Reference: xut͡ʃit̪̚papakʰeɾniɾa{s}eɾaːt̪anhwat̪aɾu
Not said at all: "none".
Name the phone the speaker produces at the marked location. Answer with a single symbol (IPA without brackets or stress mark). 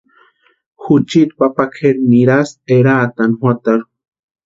s